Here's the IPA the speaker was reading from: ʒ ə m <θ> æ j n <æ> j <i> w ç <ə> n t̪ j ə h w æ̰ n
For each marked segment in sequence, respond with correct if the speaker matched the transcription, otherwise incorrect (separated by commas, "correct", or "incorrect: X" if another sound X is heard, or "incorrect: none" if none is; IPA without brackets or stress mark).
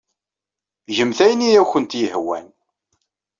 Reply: correct, incorrect: i, incorrect: æ, correct